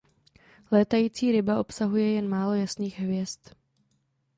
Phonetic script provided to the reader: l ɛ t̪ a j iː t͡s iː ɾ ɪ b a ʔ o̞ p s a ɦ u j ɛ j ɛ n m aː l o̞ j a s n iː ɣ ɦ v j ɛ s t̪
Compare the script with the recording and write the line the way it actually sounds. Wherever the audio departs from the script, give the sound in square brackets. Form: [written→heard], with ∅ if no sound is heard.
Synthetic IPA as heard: l [ɛ→ɛː] t̪ a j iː t͡s iː ɾ ɪ b a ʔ o̞ p s a ɦ u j ɛ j ɛ n m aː l o̞ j a s n iː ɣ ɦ v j ɛ s t̪